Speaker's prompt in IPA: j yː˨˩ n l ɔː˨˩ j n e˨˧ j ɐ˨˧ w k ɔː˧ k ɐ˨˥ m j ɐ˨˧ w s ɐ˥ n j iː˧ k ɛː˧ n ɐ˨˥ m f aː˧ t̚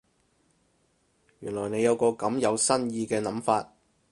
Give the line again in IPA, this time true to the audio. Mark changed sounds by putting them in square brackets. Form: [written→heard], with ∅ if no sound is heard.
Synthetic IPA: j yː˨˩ n l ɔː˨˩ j n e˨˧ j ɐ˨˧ w k ɔː˧ k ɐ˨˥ m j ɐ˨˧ w s ɐ˥ n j iː˧ k ɛː˧ n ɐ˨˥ m f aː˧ t̚